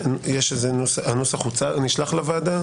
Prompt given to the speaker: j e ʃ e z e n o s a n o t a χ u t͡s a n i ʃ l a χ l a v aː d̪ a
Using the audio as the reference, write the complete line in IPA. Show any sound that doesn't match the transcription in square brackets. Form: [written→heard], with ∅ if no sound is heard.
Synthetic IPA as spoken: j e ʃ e z e n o s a n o [t→s] a χ u t͡s a n i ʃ l a χ l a v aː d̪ a